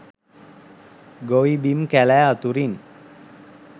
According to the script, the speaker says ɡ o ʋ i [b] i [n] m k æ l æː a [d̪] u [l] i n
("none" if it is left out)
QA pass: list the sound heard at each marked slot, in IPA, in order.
b, none, t̪, ɾ

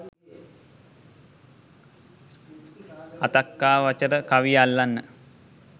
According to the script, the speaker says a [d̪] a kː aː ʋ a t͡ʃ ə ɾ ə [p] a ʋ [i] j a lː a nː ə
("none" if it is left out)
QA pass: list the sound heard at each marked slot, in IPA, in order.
t̪, k, i

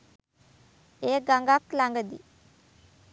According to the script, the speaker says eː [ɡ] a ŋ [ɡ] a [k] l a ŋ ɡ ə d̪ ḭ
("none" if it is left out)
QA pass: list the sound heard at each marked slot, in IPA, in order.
ɡ, ɡ, k

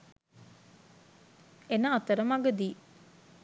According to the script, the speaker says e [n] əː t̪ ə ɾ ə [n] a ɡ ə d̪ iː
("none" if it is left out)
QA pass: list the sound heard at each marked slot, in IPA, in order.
n, m

